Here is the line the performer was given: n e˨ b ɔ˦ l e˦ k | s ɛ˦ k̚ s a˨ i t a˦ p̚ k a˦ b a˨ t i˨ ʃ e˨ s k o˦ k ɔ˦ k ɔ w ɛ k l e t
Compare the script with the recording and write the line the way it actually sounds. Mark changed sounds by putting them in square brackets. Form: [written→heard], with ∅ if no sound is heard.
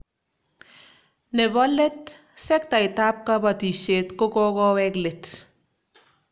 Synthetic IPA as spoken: n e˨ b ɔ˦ l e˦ [k→t] | s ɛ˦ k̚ [s→t] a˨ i t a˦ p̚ k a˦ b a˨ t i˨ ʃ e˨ [s→t] k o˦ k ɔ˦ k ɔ w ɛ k l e t